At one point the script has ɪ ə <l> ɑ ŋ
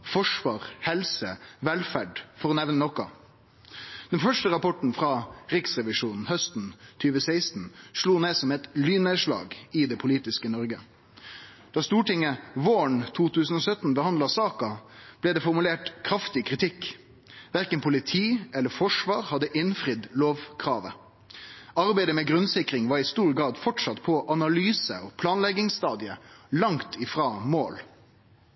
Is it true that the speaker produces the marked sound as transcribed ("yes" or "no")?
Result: yes